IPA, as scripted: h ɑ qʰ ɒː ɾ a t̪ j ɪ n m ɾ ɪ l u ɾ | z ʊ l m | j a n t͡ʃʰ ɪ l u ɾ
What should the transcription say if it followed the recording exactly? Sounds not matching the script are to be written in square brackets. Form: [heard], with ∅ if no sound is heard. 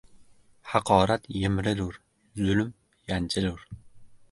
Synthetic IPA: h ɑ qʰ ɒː ɾ a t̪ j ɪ [∅] m ɾ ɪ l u ɾ | z ʊ l m | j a n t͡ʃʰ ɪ l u ɾ